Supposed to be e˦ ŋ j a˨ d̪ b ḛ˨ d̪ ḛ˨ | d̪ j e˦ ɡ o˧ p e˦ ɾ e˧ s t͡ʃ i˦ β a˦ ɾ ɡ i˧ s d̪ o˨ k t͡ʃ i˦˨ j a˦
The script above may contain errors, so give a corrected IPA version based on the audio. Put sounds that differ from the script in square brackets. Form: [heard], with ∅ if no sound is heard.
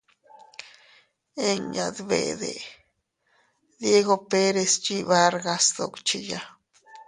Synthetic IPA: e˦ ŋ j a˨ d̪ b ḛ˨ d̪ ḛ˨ | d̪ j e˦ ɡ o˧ p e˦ ɾ e˧ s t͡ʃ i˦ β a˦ ɾ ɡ [a˧] s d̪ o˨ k t͡ʃ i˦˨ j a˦

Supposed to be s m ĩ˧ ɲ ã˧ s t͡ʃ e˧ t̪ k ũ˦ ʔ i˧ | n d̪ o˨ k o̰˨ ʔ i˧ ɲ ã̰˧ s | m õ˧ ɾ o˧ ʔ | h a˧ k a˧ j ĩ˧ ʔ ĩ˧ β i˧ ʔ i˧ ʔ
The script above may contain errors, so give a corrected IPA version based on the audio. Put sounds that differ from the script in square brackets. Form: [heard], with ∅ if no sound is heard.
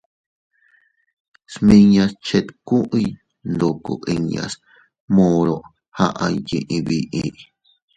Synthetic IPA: s m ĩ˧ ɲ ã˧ s t͡ʃ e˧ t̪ k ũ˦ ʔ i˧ | n d̪ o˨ k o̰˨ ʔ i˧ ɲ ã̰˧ s | m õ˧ ɾ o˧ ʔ | h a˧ [ʔ] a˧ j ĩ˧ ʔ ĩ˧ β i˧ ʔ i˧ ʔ

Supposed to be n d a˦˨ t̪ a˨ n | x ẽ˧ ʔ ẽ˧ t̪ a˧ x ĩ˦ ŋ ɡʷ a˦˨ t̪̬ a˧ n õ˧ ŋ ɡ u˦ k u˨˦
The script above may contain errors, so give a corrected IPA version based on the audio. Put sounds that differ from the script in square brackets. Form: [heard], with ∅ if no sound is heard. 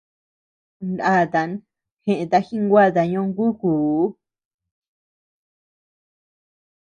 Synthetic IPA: n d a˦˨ t̪ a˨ n | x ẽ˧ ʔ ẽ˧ t̪ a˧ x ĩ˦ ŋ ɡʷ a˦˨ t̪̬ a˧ [ɲ] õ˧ ŋ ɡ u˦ k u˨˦

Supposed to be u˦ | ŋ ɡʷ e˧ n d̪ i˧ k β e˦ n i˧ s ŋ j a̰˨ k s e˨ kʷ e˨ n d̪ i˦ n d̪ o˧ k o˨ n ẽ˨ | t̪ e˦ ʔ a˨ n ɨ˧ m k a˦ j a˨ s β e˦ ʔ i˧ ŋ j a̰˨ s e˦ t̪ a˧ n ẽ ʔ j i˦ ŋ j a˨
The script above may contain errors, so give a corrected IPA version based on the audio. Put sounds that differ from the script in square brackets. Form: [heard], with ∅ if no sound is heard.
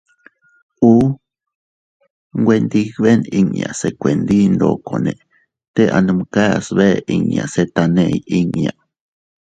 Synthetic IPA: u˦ | ŋ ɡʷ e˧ n d̪ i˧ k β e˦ n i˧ [∅] ŋ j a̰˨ [∅] s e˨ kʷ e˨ n d̪ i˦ n d̪ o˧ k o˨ n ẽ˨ | t̪ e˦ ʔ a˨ n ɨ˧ m k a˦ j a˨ s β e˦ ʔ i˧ ŋ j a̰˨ s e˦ t̪ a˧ n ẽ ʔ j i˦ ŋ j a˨

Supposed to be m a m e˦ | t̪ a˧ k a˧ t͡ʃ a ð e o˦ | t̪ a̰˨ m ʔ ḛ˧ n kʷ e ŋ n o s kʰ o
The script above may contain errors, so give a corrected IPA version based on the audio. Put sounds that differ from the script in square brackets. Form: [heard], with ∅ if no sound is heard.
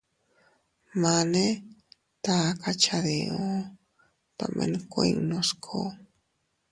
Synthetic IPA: m a [n] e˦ | t̪ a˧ k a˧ t͡ʃ a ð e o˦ | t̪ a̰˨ m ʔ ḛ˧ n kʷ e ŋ n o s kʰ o

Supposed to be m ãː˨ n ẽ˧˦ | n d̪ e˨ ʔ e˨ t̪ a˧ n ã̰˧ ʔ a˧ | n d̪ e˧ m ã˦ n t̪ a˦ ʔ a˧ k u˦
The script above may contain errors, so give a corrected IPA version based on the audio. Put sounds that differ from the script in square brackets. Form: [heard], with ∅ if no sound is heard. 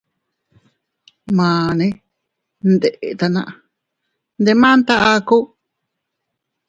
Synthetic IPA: m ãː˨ n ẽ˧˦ | n d̪ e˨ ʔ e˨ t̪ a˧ n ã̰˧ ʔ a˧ | n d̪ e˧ m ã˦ n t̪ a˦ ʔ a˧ k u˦

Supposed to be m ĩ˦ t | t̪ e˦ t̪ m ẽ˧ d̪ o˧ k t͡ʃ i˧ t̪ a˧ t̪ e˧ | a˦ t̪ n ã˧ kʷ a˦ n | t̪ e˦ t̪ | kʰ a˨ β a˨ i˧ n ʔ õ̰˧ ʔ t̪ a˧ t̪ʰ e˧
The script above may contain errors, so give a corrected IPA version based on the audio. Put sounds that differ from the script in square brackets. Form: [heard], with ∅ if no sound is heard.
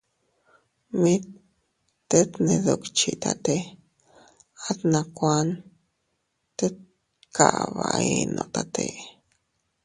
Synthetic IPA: m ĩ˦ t | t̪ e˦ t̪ [n] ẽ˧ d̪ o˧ k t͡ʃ i˧ t̪ a˧ t̪ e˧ | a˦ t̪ n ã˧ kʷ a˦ n | t̪ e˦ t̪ | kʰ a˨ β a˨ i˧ n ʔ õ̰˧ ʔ t̪ a˧ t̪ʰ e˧

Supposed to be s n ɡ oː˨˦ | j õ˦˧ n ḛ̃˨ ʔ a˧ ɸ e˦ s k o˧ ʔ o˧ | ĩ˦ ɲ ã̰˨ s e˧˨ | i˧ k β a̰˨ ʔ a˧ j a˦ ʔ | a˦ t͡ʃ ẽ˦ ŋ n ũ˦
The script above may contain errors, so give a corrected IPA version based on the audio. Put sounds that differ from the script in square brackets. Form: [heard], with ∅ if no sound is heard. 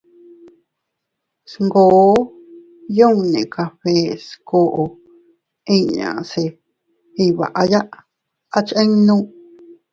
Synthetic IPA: s [ŋ] ɡ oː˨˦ | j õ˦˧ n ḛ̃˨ [k] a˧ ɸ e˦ s k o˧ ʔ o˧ | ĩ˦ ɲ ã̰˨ s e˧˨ | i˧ [∅] β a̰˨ ʔ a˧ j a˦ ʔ | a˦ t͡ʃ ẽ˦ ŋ n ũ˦

